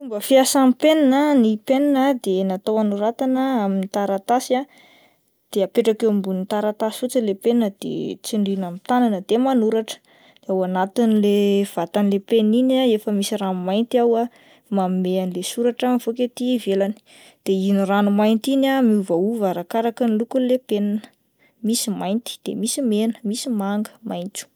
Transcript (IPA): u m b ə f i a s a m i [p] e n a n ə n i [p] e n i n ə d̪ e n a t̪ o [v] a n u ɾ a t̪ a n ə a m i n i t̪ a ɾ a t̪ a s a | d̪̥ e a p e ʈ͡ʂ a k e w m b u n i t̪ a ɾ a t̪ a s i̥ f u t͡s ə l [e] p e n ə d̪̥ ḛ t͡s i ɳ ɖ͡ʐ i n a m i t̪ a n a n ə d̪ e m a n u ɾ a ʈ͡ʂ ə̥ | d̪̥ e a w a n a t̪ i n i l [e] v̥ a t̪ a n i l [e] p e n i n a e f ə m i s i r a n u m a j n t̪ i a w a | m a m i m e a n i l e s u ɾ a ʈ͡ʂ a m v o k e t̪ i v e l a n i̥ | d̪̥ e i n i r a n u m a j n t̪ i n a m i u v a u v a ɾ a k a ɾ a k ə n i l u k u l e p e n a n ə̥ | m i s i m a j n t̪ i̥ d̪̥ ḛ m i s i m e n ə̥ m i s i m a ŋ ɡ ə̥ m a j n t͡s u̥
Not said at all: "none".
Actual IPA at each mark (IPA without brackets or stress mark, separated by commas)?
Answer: p, p, w, e, e, e